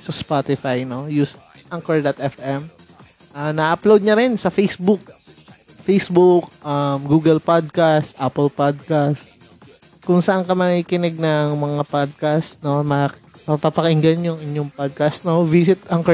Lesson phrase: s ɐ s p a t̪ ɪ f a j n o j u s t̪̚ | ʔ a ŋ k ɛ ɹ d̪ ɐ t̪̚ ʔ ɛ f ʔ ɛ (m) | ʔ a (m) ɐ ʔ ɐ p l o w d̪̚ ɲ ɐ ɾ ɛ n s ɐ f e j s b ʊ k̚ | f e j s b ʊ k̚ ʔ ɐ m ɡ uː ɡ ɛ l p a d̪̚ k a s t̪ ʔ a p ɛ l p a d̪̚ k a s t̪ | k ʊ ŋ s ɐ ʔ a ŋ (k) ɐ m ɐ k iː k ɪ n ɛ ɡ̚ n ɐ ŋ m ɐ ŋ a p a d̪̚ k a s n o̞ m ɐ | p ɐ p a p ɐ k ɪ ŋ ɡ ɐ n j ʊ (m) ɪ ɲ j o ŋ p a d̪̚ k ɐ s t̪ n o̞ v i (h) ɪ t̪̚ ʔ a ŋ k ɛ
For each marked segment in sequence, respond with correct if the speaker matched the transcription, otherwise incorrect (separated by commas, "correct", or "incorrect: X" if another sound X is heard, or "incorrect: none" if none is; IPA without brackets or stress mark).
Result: correct, incorrect: n, correct, incorrect: ŋ, incorrect: s